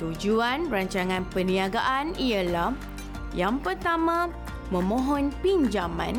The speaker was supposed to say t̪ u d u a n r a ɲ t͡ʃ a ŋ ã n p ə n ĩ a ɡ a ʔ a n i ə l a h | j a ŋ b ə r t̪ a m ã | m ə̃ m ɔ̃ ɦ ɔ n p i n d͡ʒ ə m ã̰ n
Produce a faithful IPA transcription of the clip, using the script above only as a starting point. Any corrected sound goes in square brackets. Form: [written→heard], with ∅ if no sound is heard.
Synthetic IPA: t̪ u [d→d͡ʒ] u a n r a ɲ t͡ʃ a ŋ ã n p ə n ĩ a ɡ a ʔ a n i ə l a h | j a ŋ [b→p] ə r t̪ a m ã | m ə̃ m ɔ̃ ɦ ɔ n p i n d͡ʒ [ə→a] m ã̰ n